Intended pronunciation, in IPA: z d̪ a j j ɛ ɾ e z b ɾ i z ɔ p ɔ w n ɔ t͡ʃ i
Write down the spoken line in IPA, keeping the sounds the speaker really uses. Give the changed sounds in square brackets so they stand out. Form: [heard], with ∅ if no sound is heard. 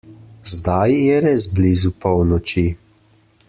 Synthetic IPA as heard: z d̪ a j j ɛ ɾ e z b [l] i z [u] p ɔ w n ɔ t͡ʃ i